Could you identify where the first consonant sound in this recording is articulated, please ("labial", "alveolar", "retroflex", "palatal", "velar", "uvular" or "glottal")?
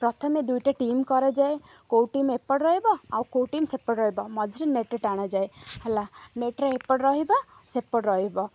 labial